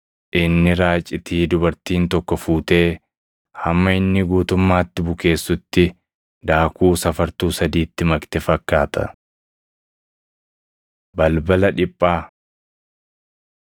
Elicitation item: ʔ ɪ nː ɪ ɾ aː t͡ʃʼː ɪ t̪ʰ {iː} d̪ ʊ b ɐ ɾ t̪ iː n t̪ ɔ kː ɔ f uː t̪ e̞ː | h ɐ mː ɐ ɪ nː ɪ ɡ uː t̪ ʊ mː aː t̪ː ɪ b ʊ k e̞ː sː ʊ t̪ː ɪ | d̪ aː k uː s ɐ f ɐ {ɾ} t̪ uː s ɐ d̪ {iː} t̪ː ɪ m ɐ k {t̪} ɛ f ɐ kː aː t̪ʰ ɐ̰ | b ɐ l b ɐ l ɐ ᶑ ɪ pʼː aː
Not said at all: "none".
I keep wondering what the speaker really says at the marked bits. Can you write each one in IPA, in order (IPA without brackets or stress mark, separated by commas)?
iː, ɾ, iː, t̪